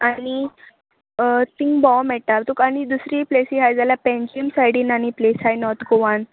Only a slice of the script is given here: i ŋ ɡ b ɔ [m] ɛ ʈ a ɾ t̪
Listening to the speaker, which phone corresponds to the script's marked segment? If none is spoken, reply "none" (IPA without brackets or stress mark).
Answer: m